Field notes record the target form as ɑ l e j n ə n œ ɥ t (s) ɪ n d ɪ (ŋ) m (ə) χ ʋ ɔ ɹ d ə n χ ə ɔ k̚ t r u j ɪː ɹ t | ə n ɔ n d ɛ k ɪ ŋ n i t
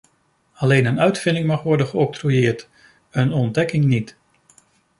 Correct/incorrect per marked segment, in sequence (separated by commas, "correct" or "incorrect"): incorrect, correct, incorrect